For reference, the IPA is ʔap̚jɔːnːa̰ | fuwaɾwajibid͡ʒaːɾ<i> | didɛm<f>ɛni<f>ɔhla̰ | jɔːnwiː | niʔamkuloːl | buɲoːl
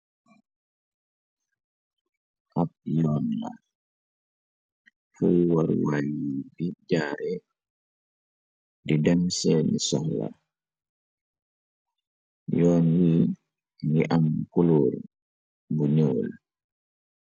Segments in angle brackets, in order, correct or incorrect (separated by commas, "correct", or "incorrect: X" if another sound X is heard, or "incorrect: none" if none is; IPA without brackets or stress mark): incorrect: ɛ, incorrect: s, incorrect: s